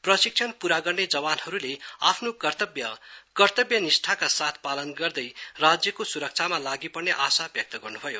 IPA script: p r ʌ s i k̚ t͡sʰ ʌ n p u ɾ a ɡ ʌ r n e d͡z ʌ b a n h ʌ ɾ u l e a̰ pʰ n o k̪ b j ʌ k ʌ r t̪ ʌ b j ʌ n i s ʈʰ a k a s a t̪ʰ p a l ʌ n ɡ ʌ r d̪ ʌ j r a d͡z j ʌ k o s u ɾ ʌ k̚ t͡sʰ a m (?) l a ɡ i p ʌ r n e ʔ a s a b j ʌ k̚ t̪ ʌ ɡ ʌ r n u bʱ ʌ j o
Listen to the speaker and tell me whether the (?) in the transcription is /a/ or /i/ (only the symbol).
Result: a